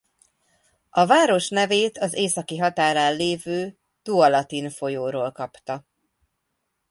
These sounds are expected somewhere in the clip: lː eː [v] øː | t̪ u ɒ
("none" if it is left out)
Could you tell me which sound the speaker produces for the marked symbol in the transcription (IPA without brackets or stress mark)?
v